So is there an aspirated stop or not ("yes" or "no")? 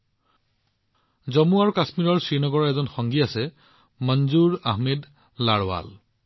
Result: no